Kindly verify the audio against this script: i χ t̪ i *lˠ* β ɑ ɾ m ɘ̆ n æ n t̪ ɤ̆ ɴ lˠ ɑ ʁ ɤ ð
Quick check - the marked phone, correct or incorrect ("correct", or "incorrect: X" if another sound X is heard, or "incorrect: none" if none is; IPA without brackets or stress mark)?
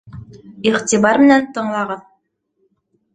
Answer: incorrect: none